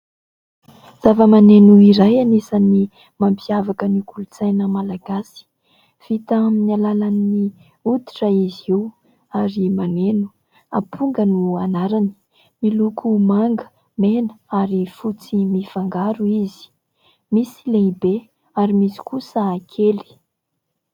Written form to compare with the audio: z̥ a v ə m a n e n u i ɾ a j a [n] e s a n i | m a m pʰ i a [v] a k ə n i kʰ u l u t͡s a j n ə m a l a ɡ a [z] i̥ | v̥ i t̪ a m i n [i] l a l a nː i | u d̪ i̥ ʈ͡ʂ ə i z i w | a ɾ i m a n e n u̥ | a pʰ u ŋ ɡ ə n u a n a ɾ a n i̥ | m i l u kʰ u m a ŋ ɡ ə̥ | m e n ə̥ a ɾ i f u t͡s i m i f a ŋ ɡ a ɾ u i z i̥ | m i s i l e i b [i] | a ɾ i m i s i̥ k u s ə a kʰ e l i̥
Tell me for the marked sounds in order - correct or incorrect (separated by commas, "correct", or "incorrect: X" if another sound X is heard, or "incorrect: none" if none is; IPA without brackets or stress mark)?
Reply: correct, correct, incorrect: s, incorrect: a, incorrect: e